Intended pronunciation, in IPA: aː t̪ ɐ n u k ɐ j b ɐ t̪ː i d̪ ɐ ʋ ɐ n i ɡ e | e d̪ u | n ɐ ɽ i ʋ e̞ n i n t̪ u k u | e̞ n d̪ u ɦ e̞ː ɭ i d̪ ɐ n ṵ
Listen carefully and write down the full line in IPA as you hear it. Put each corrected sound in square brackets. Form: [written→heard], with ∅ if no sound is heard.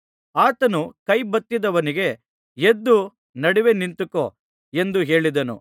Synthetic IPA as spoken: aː t̪ ɐ n u k ɐ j b ɐ t̪ː i d̪ ɐ ʋ ɐ n i ɡ e | e [d̪→d̪ː] u | n ɐ ɽ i ʋ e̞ n i n t̪ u k [u→o] | e̞ n d̪ u ɦ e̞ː ɭ i d̪ ɐ n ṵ